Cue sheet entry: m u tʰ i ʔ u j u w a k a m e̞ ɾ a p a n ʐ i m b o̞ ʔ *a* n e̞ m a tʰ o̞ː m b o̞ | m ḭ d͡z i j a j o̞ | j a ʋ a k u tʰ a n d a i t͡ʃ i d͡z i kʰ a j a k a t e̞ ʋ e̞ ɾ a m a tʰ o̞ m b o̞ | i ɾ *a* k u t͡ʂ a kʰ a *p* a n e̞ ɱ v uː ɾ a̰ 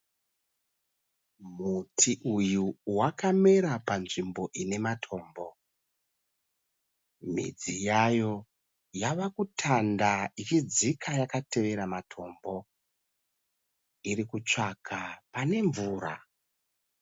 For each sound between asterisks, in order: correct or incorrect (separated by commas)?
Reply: incorrect, incorrect, correct